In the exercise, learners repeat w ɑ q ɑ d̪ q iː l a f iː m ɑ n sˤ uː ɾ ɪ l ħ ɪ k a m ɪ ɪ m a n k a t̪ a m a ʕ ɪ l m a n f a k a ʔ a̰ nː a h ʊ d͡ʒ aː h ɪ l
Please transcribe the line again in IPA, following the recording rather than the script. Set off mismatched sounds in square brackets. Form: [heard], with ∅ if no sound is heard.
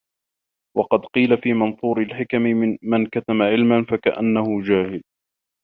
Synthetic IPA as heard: w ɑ q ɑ d̪ q iː l a f iː m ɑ n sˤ uː ɾ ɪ l ħ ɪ k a m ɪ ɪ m a n k a t̪ a m a ʕ ɪ l m a n f a k a ʔ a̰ nː a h ʊ d͡ʒ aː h ɪ l